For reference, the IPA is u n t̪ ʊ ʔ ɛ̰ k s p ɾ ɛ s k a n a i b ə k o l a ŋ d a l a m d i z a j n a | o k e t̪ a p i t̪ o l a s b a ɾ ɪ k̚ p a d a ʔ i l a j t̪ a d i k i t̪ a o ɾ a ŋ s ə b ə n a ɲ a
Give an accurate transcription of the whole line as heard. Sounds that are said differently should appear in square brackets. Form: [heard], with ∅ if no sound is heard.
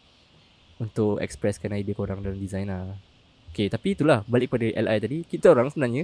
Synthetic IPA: u n t̪ ʊ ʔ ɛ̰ k s p ɾ ɛ s k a n a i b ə k o [ɾ] a ŋ d a l a m d i z a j n a | o k e t̪ a p i t̪ [u] l a [h] b a [l] ɪ k̚ p a d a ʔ [ɛ] l a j t̪ a d i k i t̪ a o ɾ a ŋ s ə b ə n a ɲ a